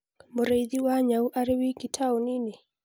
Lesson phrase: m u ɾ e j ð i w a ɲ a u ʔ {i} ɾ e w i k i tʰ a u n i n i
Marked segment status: incorrect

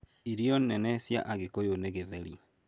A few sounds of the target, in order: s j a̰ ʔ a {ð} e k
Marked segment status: incorrect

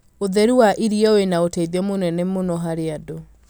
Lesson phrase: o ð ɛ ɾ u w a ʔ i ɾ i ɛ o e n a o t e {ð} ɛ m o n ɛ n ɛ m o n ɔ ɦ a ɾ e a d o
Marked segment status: correct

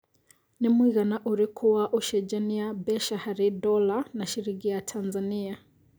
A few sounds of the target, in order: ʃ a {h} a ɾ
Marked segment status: correct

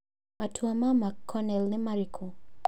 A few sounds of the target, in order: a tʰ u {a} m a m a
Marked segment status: correct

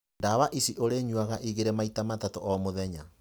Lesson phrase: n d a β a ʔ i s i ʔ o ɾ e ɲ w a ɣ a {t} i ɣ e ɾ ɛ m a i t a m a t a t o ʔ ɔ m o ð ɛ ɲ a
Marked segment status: incorrect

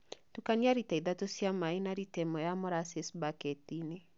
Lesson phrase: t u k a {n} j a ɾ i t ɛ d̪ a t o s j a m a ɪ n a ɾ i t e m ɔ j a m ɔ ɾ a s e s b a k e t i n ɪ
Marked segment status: correct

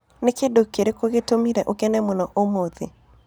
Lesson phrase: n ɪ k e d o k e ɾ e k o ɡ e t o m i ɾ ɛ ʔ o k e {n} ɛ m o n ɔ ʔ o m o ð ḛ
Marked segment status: correct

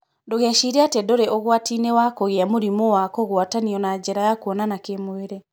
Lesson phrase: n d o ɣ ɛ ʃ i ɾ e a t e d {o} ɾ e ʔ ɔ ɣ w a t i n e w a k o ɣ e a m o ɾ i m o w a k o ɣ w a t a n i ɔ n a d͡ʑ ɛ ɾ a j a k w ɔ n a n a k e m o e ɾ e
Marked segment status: correct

